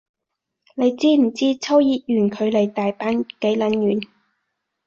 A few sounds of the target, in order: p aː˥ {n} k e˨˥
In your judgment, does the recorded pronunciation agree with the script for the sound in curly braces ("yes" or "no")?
yes